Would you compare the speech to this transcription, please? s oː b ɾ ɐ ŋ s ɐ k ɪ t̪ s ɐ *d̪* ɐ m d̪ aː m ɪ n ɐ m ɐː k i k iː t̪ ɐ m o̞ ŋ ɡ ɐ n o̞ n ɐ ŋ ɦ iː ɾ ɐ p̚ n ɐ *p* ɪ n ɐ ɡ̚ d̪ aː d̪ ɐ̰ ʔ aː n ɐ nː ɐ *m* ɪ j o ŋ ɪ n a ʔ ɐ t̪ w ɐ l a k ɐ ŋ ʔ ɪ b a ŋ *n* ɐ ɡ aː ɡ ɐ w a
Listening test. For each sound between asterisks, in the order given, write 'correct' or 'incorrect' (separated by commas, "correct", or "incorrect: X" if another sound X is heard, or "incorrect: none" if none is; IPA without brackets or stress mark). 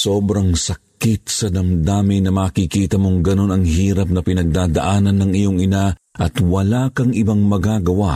correct, correct, incorrect: ŋ, incorrect: m